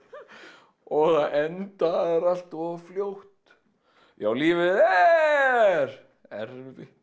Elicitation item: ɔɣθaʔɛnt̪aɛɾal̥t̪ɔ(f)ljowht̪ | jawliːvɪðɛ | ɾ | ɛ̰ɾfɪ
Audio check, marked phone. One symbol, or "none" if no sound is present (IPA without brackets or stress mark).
f